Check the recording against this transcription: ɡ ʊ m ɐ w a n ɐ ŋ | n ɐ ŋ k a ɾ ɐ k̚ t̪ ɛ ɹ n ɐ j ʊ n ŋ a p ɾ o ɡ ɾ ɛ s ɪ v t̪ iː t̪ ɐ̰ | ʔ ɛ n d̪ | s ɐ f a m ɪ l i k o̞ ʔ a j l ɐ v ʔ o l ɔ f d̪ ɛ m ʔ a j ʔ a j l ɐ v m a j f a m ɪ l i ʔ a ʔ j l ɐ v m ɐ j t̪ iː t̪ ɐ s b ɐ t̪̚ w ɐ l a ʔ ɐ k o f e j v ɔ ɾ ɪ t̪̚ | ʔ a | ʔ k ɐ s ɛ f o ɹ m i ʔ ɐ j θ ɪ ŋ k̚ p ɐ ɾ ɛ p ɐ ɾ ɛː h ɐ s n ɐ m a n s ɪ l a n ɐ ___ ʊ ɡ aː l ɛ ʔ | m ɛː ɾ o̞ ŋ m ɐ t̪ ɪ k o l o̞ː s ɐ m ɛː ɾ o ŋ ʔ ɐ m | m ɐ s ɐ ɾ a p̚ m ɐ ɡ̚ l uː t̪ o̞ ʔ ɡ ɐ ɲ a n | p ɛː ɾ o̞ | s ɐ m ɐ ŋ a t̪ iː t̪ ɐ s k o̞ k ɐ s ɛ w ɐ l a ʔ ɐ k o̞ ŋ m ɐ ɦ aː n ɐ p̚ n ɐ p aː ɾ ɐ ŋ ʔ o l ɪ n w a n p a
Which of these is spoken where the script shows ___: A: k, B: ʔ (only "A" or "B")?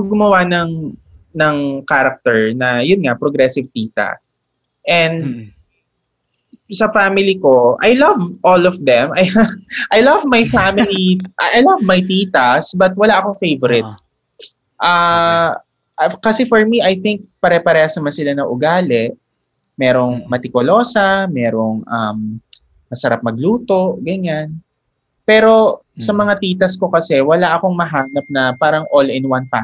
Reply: B